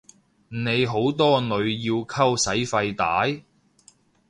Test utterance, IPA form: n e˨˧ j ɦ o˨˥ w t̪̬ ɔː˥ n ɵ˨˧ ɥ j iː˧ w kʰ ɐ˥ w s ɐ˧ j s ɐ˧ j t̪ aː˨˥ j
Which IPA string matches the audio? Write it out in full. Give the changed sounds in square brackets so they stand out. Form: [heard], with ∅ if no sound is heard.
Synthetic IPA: n e˨˧ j ɦ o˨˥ w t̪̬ ɔː˥ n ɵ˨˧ ɥ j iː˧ w kʰ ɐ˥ w s [ɐ˨˥] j [f] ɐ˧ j t̪ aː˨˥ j